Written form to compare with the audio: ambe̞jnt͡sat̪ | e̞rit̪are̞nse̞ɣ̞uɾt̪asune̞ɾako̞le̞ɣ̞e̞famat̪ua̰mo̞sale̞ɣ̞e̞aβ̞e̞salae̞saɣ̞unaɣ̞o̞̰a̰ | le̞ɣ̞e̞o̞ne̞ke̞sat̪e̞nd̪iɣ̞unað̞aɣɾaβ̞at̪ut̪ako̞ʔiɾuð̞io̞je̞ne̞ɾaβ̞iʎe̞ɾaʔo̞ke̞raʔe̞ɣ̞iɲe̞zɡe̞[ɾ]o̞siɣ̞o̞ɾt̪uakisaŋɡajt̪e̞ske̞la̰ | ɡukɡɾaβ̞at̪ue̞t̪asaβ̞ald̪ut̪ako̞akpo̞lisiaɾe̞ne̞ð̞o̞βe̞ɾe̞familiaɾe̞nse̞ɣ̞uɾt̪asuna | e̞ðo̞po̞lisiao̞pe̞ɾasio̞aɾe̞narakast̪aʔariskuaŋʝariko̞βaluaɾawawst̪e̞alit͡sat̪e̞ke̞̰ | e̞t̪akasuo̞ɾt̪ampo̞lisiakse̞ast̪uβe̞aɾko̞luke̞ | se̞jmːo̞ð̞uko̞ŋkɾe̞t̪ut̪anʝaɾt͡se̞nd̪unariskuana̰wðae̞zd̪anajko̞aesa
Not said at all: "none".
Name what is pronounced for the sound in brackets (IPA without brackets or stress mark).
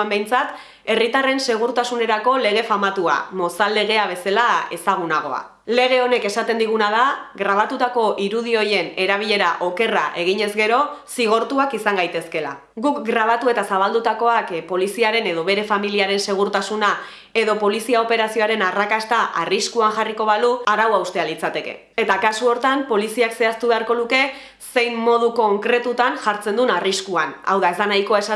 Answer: ɾ